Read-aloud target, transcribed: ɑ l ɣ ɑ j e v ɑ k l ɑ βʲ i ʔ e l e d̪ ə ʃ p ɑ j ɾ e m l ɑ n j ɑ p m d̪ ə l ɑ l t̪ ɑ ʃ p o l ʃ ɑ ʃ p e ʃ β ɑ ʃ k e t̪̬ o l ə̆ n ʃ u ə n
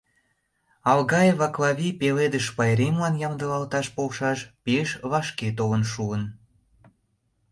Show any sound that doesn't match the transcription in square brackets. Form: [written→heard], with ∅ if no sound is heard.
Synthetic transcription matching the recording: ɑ l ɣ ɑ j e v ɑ k l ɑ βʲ i [ʔ→p] e l e d̪ ə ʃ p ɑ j ɾ e m l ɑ n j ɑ [p→∅] m d̪ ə l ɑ l t̪ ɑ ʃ p o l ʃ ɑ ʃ p e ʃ β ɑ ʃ k e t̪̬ o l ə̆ n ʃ u ə n